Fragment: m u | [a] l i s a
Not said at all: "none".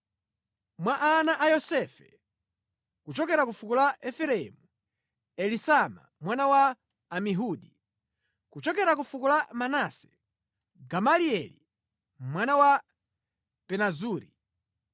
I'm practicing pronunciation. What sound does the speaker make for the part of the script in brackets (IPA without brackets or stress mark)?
ɛ